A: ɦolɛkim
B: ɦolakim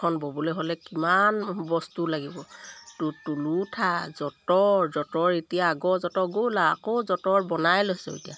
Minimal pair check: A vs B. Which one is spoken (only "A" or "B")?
A